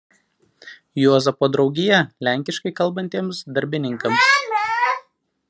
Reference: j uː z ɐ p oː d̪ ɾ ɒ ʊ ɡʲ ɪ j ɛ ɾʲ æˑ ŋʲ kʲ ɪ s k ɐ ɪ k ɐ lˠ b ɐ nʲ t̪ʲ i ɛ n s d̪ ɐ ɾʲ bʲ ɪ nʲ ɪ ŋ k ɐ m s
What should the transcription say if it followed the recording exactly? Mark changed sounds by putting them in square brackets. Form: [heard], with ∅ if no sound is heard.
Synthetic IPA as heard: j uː z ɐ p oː d̪ ɾ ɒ ʊ ɡʲ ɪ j ɛ [lʲ] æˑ ŋʲ kʲ ɪ [ʃ] k ɐ ɪ k ɐ lˠ b ɐ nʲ t̪ʲ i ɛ [m] s d̪ ɐ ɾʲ bʲ ɪ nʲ ɪ ŋ k ɐ m s